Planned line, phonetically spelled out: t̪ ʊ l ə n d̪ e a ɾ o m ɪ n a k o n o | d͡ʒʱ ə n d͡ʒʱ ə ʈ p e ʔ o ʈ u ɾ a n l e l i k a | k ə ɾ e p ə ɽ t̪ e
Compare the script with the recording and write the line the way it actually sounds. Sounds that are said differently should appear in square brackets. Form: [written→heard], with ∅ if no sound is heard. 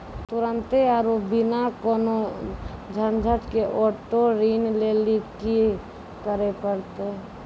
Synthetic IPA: t̪ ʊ [l→ɾ] ə n [d̪→t̪] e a ɾ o [m→b] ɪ n a k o n o | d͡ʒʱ ə n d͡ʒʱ ə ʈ [p→k] e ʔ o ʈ [u→o] ɾ [a→i] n l e l i k [a→i] | k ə ɾ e p ə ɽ t̪ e